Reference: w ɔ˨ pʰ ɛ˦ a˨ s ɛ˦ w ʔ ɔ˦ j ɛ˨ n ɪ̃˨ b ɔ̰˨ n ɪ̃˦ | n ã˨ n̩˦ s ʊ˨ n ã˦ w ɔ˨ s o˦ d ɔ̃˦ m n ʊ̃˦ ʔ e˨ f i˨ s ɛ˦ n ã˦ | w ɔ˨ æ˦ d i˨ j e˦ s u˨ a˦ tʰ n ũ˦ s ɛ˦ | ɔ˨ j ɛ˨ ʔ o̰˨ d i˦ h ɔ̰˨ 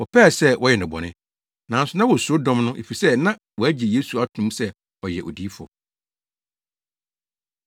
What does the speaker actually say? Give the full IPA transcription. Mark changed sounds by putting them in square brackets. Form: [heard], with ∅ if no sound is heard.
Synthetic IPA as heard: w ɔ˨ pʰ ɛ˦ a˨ s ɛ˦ w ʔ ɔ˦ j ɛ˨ n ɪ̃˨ b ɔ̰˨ n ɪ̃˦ | n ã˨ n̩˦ s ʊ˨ n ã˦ w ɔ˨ s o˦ d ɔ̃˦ m n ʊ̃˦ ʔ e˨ f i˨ s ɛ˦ n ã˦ | w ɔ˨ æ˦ [d͡ʑ] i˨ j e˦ s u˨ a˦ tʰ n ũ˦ s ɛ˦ | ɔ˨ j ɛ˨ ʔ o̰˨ d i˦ [f] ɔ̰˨